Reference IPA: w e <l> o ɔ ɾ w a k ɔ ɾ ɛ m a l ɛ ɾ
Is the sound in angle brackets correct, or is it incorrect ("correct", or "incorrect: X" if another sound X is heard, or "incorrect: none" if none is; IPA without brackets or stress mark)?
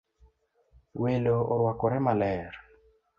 correct